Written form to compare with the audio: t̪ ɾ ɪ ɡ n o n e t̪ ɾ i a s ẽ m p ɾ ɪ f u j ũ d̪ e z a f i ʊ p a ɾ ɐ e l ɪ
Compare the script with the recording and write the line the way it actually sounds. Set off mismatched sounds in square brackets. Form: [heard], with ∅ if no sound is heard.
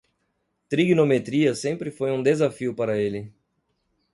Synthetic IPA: t̪ ɾ [i] ɡ n o [m] e t̪ ɾ i [ɐ] s ẽ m p ɾ ɪ f [o] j ũ d̪ e z a f i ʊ p a ɾ ɐ e l ɪ